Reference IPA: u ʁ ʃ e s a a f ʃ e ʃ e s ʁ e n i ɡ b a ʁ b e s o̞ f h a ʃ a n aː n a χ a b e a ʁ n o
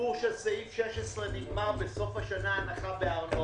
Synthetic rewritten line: u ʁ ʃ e s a i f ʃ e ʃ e s ʁ e n i ɡ m a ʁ b e s o̞ f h a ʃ a n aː n a χ a b e a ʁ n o